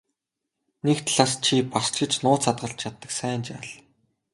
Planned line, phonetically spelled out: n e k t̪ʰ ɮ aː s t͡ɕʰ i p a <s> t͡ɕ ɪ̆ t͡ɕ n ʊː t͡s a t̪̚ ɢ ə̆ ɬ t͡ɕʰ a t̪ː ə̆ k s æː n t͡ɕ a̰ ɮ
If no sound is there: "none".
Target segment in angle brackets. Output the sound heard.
s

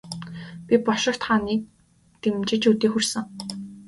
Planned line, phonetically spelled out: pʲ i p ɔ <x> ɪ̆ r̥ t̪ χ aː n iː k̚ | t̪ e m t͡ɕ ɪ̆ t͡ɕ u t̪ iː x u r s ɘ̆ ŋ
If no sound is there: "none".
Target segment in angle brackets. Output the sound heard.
ʃ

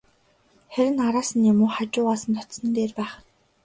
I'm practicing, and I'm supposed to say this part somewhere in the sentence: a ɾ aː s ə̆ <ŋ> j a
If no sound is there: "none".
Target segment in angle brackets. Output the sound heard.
n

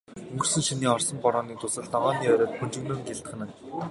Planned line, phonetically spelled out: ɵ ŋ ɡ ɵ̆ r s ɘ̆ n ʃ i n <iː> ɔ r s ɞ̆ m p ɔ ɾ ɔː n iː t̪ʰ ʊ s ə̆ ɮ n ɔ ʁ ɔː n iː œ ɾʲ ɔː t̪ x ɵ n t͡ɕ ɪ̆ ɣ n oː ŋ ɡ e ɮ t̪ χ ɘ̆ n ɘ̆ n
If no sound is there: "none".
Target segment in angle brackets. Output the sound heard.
iː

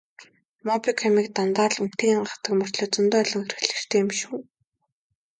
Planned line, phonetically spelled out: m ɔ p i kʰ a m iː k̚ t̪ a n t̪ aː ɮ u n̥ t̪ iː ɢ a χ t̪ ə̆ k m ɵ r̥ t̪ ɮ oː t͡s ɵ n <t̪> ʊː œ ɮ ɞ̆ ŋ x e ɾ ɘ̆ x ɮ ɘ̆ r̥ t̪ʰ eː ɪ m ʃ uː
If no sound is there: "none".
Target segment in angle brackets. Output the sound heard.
t̪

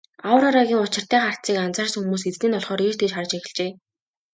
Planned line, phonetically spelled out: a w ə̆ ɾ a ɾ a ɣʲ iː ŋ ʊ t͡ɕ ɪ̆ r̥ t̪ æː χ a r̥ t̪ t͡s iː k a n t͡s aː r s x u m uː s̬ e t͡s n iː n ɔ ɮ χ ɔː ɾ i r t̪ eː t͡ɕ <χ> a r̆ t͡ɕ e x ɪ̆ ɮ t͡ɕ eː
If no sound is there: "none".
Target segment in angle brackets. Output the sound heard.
χ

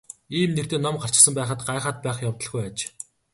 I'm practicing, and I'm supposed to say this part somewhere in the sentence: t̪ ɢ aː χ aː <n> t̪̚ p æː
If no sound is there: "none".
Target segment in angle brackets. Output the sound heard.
none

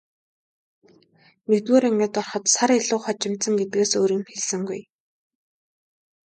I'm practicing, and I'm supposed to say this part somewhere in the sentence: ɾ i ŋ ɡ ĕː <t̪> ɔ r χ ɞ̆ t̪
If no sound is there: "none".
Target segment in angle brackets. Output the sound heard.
t̪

